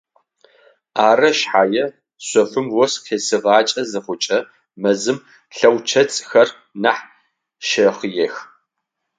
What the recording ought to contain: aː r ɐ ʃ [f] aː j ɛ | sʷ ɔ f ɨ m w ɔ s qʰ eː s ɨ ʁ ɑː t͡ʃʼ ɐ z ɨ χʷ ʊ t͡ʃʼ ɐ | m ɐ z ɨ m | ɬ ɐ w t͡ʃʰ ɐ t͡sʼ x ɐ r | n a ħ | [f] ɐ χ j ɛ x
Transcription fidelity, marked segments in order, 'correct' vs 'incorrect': incorrect, incorrect

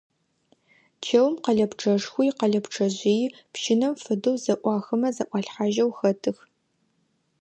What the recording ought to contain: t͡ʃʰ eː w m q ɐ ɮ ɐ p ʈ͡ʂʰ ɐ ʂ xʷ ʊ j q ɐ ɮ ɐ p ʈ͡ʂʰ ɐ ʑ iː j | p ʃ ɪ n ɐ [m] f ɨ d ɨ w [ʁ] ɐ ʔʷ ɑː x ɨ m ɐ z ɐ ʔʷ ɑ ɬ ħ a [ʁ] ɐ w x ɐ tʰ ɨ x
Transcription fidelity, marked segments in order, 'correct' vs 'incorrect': correct, incorrect, incorrect

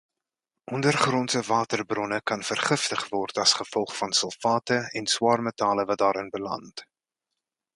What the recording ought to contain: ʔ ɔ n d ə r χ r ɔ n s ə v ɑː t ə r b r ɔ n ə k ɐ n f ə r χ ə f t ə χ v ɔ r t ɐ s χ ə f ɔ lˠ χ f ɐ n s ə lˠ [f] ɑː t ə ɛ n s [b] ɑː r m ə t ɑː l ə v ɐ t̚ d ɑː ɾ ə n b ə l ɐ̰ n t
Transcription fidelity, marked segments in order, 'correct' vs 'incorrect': correct, incorrect

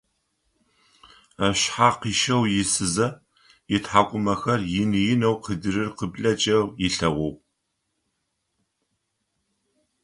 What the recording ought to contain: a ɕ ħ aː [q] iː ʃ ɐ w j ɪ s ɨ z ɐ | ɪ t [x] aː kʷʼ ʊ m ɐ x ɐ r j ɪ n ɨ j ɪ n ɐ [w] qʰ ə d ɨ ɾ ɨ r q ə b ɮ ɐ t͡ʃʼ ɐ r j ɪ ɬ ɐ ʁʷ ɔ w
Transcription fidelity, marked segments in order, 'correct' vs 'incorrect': correct, incorrect, correct

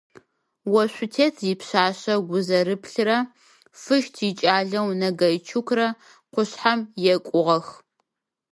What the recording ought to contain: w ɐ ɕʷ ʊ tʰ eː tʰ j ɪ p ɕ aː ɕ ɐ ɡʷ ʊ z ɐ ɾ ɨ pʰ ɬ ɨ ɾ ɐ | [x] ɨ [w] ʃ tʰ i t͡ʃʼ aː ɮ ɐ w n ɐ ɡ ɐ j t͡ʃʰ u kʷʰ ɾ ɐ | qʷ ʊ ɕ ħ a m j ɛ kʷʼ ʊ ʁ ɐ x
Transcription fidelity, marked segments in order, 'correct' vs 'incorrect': incorrect, incorrect

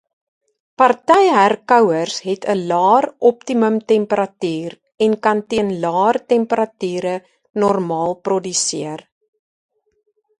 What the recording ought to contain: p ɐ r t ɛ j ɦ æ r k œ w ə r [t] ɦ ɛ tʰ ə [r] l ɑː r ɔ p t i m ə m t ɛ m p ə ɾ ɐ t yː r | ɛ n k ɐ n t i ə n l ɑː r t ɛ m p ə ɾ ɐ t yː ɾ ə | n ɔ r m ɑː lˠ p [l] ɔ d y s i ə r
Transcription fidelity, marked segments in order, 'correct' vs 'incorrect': incorrect, incorrect, incorrect

